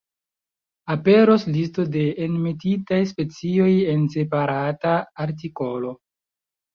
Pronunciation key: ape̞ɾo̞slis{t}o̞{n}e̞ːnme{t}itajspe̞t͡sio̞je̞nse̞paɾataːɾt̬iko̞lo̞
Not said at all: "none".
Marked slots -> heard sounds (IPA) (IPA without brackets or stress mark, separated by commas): t, d, t